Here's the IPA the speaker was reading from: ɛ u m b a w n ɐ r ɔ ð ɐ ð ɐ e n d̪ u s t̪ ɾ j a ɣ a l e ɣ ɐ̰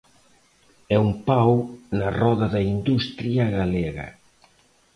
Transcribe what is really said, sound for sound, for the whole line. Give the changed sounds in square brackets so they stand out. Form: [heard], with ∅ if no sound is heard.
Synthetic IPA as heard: ɛ u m [p] a w n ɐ r ɔ ð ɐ ð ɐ [i] n d̪ u s t̪ ɾ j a ɣ a l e ɣ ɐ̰